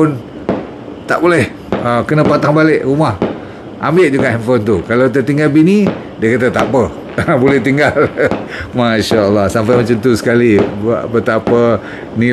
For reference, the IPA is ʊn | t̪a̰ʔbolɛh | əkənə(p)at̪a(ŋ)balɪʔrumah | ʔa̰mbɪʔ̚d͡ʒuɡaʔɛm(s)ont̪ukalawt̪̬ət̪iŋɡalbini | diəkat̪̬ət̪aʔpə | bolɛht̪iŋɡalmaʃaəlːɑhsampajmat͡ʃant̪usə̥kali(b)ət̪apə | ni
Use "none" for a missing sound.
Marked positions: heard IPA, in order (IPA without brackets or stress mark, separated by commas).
p, ŋ, f, b